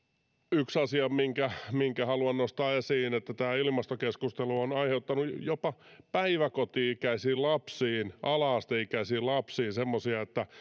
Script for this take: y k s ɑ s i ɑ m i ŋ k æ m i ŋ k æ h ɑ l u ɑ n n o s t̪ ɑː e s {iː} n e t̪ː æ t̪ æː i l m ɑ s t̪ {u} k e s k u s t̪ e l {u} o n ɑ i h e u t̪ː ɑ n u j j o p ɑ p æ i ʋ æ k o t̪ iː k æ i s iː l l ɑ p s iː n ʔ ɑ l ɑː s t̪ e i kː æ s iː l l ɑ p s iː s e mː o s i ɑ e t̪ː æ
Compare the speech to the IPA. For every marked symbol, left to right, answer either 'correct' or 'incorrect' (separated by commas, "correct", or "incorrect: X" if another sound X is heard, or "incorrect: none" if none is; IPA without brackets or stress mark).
correct, incorrect: o, correct